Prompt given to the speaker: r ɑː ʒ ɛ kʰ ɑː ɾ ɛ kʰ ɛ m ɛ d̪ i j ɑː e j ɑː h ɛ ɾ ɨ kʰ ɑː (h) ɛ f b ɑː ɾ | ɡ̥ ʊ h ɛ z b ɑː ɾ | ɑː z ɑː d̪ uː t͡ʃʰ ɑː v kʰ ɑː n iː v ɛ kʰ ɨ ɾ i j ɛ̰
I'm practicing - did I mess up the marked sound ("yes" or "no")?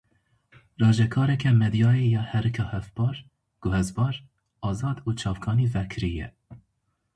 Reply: no